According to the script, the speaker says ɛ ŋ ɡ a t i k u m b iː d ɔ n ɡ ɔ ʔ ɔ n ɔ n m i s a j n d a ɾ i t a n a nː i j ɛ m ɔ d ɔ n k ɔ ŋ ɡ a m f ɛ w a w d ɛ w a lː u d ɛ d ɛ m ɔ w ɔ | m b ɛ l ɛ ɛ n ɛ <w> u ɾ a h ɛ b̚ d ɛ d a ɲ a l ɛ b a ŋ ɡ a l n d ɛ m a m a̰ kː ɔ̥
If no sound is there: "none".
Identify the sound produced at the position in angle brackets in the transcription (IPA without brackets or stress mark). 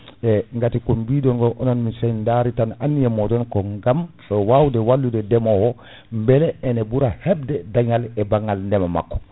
b